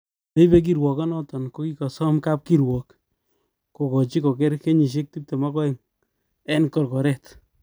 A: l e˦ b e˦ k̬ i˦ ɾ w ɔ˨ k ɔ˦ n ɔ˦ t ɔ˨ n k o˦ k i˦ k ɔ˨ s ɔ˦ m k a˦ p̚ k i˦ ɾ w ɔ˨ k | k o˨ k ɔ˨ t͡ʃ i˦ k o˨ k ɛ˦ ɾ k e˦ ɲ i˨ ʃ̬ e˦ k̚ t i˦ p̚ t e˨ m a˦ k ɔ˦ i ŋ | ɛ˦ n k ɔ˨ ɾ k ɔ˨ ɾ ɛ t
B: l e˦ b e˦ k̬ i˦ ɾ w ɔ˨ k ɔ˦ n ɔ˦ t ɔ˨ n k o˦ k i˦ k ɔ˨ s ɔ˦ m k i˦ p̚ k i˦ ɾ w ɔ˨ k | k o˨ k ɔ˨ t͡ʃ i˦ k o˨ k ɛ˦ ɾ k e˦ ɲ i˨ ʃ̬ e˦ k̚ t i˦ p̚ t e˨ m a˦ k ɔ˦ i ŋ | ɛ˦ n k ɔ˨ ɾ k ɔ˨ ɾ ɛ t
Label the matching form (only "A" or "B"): A